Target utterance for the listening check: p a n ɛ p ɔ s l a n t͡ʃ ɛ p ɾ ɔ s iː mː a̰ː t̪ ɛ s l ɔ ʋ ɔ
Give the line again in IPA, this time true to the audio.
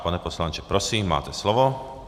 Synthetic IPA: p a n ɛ p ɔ s l a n t͡ʃ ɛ p ɾ ɔ s iː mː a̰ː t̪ ɛ s l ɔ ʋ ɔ